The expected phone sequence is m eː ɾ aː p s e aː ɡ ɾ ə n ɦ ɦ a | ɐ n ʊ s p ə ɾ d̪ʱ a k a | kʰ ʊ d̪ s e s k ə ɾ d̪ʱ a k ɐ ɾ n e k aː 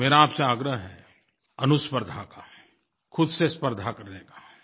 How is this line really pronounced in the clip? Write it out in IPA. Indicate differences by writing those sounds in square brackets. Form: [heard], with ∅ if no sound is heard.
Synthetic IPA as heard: m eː ɾ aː p s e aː ɡ ɾ ə [∅] ɦ ɦ [ɛ] | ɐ n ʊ s p ə ɾ d̪ʱ a k a | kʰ ʊ d̪ s e s [p] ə ɾ d̪ʱ a k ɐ ɾ n e k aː